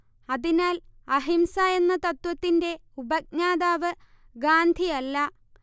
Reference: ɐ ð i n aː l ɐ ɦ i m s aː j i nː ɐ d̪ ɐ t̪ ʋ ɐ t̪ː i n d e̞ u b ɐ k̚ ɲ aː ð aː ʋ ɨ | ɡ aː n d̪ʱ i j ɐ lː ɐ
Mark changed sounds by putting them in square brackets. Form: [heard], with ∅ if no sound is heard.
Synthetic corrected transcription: ɐ ð i n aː l ɐ ɦ i m s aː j [e] nː ɐ [t̪] ɐ t̪ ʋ ɐ t̪ː i n d e̞ u b ɐ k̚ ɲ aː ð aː ʋ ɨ | ɡ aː n d̪ʱ i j ɐ lː ɐ